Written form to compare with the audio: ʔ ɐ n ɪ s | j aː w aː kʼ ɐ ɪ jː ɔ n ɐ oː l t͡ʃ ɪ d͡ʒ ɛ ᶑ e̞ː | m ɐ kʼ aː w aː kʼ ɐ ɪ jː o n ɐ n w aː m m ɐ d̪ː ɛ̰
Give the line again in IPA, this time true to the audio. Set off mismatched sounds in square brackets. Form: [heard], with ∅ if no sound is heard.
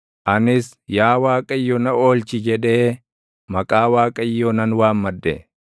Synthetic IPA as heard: ʔ ɐ n ɪ s | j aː w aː kʼ ɐ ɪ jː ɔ n ɐ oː l t͡ʃ ɪ d͡ʒ ɛ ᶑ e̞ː | m ɐ kʼ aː w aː kʼ ɐ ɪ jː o n ɐ n w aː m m ɐ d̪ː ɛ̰